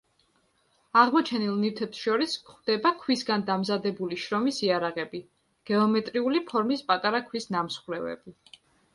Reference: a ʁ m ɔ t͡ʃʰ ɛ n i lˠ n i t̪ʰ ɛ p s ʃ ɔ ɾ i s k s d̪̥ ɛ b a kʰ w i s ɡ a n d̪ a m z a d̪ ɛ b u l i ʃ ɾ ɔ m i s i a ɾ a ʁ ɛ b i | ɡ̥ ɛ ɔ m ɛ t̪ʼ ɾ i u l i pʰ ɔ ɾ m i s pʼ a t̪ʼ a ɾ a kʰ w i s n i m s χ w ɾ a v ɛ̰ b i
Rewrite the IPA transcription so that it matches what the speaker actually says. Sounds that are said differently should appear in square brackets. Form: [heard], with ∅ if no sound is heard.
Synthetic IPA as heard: a ʁ m ɔ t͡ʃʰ ɛ n i lˠ n i t̪ʰ ɛ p s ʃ ɔ ɾ i s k [χ] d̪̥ ɛ b a kʰ w i s ɡ a n d̪ a m z a d̪ ɛ b u l i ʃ ɾ ɔ m i s i a ɾ a ʁ ɛ b i | ɡ̥ ɛ ɔ m ɛ t̪ʼ ɾ i u l i pʰ ɔ ɾ m i s pʼ a t̪ʼ a ɾ a kʰ w i s n [a] m s χ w ɾ [ɛ] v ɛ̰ b i